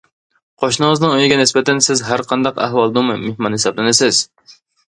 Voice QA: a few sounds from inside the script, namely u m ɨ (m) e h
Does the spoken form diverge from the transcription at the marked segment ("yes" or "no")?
no